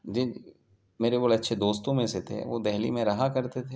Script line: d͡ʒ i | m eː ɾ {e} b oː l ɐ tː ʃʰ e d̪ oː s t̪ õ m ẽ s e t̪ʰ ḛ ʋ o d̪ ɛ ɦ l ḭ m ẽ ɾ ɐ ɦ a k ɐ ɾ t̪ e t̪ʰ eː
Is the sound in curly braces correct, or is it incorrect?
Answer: correct